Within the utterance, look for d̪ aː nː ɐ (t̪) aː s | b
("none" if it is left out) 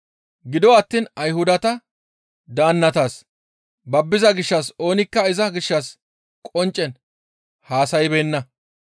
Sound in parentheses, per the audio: t̪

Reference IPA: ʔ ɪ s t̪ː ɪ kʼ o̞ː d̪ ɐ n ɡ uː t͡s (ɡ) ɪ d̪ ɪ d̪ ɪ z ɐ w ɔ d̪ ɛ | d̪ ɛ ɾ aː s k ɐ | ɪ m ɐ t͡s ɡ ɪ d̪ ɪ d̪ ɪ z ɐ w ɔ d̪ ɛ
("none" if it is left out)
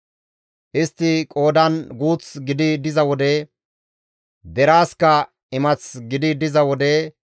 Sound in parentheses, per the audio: ɡ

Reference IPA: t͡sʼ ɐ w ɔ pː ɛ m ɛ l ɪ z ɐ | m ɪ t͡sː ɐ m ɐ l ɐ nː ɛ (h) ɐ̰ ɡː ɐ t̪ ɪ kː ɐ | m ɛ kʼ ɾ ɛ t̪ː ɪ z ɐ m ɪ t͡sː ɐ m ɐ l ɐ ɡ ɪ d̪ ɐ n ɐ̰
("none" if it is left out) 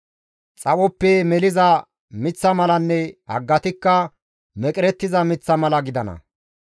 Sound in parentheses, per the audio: h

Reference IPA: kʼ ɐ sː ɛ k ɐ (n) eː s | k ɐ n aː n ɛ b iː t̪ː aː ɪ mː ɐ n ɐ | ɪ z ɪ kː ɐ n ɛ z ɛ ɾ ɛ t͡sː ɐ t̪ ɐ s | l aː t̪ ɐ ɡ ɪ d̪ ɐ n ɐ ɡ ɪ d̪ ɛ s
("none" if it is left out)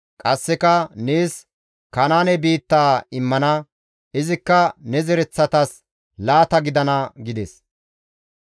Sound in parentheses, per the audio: n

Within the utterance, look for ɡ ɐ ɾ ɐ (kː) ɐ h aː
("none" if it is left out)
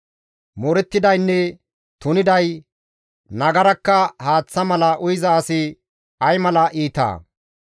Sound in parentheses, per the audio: kː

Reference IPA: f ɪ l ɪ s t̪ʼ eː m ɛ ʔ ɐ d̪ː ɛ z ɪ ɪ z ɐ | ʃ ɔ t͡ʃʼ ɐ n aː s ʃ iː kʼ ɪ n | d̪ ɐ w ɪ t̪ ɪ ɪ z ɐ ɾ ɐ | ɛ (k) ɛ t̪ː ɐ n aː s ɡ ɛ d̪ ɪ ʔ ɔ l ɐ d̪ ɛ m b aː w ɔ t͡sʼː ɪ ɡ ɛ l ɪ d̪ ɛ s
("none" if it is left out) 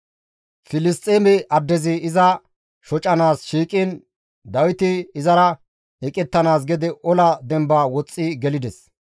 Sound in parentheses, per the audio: kʼ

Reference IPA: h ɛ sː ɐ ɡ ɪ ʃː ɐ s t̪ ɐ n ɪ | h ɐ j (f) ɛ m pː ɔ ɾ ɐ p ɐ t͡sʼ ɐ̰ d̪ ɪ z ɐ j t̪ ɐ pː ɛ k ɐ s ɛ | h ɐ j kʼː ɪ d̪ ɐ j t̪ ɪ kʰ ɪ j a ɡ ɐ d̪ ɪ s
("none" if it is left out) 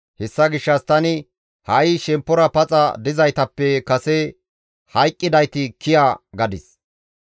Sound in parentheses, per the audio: ʃ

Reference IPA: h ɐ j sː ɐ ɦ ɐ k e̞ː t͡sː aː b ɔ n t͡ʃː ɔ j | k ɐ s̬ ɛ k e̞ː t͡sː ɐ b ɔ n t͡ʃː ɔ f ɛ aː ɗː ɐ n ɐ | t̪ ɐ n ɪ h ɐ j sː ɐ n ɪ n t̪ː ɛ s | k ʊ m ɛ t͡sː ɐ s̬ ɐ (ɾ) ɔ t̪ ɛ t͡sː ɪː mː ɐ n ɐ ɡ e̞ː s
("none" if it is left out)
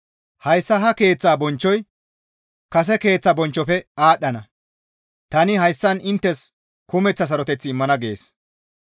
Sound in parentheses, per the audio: ɾ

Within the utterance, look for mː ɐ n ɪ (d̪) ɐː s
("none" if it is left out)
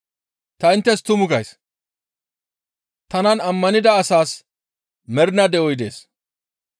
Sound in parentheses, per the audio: d̪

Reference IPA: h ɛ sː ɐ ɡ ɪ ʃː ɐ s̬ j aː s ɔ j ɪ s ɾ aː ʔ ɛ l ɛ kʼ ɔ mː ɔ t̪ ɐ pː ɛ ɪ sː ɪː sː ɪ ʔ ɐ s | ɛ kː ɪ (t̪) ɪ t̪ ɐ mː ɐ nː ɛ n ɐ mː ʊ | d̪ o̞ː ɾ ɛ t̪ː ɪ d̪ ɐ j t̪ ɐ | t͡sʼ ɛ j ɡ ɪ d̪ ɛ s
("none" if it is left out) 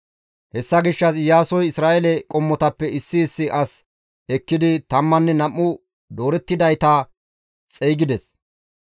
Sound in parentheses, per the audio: d̪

